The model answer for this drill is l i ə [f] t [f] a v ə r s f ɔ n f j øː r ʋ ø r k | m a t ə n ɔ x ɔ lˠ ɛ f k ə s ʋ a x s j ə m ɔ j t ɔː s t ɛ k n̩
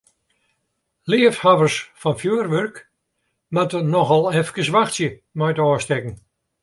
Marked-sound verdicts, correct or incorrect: correct, incorrect: h

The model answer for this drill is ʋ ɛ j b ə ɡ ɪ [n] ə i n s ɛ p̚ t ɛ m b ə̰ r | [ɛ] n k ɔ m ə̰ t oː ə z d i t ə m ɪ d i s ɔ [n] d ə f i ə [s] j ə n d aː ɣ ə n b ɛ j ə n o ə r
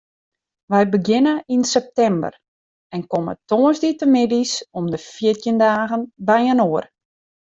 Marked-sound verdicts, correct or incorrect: correct, correct, incorrect: m, incorrect: t

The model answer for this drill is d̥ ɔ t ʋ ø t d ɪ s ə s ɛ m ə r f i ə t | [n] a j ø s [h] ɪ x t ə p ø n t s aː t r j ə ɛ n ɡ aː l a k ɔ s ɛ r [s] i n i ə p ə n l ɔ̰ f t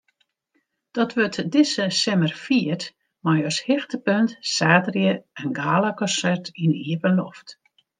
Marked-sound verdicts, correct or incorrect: incorrect: m, correct, incorrect: t

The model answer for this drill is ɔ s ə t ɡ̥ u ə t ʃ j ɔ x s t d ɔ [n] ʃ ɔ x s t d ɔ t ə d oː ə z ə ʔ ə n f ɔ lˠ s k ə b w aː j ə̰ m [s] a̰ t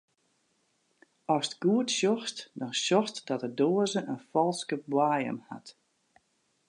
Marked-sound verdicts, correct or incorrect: correct, incorrect: h

